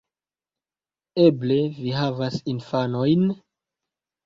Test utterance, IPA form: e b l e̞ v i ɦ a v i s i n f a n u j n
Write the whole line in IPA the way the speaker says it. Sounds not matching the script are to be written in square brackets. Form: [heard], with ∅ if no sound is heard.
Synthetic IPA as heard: e b l e̞ v i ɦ a v [a] s i n f a n [o] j n